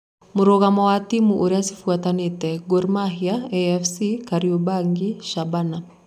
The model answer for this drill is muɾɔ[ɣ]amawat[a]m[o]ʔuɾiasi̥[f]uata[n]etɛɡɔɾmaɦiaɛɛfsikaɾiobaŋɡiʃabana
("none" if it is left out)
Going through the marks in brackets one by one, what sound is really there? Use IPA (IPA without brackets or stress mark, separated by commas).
ɣ, i, u, f, n